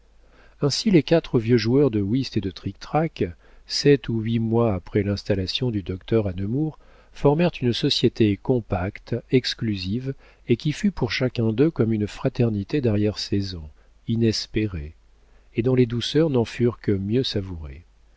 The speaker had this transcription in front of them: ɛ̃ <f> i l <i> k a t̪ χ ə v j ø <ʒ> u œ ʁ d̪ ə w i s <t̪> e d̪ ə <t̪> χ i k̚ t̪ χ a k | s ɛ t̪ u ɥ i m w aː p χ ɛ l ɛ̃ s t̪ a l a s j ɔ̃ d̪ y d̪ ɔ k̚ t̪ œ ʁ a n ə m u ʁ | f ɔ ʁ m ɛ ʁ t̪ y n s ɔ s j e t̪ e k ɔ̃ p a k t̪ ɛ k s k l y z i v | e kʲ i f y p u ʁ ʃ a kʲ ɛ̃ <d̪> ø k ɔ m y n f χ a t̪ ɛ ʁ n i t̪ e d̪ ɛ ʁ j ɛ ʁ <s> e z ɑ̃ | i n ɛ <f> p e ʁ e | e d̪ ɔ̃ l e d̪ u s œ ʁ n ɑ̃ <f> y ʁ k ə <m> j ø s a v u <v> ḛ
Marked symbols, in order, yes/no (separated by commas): no, no, yes, yes, yes, yes, yes, no, yes, yes, no